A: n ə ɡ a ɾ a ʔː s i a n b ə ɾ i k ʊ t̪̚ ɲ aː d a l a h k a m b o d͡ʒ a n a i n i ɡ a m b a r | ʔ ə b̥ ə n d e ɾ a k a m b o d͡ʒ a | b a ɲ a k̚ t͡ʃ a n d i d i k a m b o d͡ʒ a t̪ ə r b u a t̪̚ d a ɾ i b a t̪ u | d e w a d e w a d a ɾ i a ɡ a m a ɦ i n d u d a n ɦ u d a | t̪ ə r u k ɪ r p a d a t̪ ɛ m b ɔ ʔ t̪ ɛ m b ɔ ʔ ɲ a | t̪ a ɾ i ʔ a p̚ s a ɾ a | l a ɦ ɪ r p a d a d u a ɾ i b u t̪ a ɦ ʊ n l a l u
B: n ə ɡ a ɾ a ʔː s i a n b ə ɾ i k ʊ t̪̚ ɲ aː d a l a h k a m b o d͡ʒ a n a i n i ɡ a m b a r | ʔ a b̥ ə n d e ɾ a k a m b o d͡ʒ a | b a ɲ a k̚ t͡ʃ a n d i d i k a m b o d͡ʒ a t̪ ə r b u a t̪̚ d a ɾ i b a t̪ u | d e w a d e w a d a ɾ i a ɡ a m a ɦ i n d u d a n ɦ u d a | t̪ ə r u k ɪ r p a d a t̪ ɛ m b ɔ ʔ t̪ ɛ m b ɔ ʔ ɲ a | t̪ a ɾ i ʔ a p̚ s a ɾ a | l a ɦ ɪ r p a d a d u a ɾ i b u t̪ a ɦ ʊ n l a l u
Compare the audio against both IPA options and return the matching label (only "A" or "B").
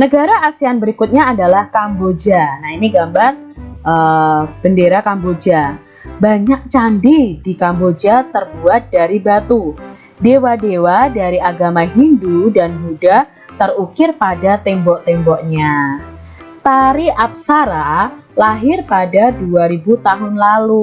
A